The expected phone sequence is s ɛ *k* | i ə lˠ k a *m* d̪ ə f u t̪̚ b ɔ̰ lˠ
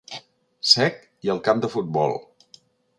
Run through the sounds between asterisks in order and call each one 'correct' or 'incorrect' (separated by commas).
correct, correct